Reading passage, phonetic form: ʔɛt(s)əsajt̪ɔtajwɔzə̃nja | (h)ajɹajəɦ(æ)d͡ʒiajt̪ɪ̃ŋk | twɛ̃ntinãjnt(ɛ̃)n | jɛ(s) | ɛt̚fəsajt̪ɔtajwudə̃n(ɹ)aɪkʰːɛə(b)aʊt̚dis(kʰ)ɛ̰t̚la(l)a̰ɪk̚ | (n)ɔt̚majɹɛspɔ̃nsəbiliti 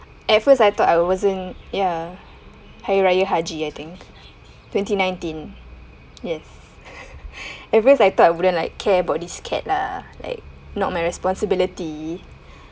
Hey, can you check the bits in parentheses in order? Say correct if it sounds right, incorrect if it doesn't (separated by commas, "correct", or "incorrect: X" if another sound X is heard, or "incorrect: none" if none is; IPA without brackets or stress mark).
incorrect: f, correct, incorrect: a, incorrect: ĩ, correct, incorrect: l, correct, correct, correct, correct